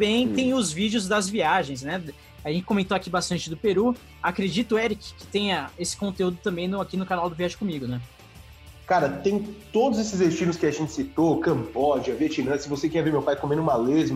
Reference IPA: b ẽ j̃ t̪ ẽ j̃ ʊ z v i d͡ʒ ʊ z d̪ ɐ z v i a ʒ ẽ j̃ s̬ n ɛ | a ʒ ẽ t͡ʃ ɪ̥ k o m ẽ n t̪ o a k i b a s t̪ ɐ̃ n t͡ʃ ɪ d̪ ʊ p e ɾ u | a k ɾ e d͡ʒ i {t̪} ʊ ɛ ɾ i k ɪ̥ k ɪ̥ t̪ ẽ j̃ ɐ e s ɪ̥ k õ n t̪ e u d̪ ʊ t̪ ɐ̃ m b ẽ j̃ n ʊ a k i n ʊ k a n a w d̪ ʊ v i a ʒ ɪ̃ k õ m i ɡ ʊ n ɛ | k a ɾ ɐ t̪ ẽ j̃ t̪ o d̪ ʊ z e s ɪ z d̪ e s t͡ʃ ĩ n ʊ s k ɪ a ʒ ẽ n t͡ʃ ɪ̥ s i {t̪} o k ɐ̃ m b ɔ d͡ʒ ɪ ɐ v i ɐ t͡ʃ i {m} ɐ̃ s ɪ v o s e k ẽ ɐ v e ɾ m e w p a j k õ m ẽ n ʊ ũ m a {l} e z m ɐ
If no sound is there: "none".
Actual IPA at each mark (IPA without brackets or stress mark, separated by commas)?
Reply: t̪, t̪, n, l